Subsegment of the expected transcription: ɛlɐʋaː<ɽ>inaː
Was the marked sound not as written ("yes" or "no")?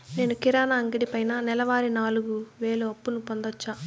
yes